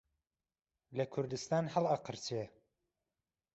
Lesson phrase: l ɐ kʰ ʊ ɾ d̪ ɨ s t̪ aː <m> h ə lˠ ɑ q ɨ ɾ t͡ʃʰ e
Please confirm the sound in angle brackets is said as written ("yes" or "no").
no